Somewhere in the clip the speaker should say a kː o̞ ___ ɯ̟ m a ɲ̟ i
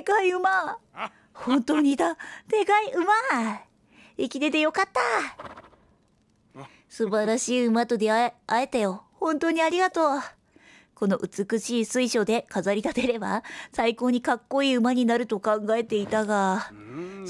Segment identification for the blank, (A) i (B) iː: B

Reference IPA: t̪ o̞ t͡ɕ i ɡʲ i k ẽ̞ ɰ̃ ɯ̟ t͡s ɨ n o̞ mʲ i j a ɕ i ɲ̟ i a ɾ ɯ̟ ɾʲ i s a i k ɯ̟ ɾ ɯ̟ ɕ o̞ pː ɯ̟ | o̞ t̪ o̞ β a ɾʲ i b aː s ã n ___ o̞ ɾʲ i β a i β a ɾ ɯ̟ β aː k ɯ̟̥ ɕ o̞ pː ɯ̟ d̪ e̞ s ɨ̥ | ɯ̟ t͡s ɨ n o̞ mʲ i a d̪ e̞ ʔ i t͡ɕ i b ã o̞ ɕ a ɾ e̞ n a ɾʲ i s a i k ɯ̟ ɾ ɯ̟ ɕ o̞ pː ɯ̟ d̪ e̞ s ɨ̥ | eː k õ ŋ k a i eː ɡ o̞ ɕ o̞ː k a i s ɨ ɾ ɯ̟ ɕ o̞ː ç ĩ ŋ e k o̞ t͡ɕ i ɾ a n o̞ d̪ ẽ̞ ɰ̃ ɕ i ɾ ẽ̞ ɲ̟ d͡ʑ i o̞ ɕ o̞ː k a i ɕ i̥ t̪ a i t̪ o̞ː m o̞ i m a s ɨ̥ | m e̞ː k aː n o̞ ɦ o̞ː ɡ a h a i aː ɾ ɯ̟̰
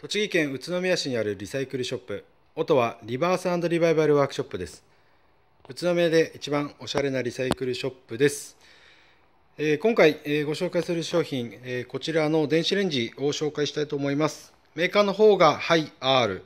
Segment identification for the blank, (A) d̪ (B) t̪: A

